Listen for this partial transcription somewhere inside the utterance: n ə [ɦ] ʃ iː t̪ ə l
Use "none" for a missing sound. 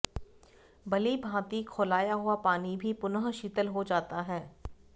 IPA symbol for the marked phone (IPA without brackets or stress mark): ɦ